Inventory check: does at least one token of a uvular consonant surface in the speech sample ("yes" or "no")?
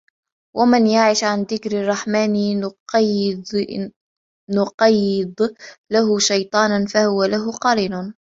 yes